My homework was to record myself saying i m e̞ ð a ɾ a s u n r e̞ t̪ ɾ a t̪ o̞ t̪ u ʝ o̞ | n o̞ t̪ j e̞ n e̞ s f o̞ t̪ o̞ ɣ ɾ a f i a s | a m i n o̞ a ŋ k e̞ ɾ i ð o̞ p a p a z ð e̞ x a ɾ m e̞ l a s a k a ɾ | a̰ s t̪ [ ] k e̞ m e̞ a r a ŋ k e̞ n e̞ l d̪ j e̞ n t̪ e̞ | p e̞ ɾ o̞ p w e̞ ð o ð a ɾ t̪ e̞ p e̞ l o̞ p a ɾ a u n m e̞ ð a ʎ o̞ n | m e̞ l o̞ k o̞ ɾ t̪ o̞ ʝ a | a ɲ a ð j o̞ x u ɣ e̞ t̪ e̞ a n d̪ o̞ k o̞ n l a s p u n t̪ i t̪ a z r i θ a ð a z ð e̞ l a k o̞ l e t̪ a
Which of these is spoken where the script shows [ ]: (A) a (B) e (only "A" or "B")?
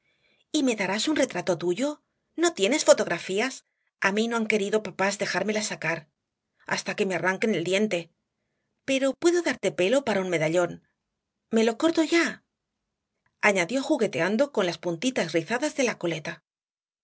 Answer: A